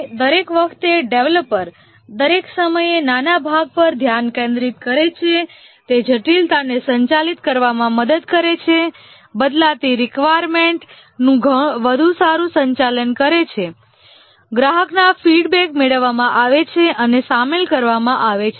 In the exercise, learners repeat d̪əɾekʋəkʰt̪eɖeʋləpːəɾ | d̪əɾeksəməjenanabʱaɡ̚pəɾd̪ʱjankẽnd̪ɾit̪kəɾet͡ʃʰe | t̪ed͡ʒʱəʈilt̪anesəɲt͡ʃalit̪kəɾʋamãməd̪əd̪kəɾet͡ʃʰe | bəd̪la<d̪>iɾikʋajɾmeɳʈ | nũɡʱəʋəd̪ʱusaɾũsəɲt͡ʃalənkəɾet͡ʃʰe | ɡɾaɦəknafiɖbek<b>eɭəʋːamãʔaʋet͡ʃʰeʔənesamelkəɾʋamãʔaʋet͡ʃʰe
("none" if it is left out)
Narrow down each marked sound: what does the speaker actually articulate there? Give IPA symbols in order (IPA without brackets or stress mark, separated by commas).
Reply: t̪, m